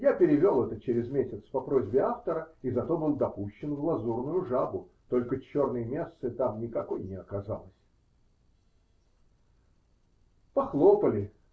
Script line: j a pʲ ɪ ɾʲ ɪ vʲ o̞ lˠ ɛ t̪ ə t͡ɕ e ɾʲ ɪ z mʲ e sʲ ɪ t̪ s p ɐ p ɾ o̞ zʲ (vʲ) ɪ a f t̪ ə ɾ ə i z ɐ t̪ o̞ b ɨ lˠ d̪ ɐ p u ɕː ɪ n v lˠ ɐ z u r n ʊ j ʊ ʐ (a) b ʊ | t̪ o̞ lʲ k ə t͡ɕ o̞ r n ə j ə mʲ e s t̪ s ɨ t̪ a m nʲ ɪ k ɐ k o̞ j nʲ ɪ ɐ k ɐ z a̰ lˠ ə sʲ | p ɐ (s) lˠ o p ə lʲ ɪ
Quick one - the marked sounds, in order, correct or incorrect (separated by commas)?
incorrect, correct, incorrect